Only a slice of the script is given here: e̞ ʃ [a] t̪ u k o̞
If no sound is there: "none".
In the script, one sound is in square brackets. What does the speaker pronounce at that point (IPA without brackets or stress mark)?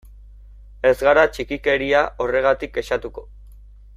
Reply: a